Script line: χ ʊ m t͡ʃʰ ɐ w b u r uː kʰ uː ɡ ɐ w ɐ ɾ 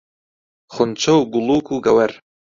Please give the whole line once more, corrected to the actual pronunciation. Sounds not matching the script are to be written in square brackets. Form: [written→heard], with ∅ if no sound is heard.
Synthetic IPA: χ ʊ [m→n] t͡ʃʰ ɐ w [b→ɡ] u [r→l] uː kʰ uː ɡ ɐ w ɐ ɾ